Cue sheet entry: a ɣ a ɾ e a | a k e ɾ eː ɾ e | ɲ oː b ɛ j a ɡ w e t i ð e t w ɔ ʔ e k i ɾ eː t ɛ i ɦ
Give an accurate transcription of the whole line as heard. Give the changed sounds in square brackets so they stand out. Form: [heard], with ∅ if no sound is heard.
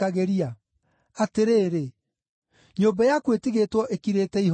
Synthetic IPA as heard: a ɣ [e] ɾ [i] a | a [t] e ɾ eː ɾ e | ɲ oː b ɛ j a [k] w e t i [ɣ] e t w ɔ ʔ e k i ɾ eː t ɛ i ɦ